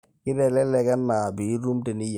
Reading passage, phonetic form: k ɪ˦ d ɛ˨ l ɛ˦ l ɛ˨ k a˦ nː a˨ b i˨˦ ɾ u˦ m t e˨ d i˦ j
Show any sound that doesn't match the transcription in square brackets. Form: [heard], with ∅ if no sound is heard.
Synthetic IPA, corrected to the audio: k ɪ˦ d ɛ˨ l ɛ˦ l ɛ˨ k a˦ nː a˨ b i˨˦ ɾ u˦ m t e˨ [n] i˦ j